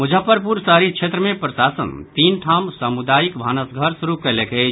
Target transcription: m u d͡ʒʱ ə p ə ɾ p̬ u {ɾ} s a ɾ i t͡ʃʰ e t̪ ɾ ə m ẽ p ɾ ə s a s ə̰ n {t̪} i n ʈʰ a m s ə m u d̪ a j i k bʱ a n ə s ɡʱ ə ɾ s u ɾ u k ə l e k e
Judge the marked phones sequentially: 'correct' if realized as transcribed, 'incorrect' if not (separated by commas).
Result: correct, correct